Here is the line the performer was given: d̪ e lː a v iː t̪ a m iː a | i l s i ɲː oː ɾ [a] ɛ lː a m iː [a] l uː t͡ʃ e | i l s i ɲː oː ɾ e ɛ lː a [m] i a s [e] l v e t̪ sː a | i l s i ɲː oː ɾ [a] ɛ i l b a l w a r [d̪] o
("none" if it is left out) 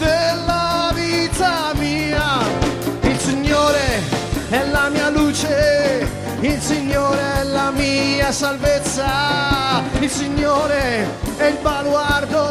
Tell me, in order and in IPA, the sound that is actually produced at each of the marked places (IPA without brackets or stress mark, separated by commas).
e, a, m, a, e, d̪